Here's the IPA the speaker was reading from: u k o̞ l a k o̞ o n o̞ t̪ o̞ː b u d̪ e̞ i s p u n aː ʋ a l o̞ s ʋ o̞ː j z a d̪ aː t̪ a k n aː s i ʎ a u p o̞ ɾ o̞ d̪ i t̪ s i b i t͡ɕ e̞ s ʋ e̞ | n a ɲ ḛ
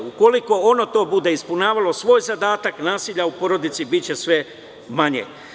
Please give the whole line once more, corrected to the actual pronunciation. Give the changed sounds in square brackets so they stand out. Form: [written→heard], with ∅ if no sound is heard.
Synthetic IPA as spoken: u k o̞ l [a→i] k o̞ o n o̞ t̪ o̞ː b u d̪ e̞ i s p u n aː ʋ a l o̞ s ʋ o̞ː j z a d̪ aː t̪ a k n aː s i ʎ a u p o̞ ɾ o̞ d̪ i t̪ s i b i t͡ɕ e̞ s ʋ e̞ | [n→m] a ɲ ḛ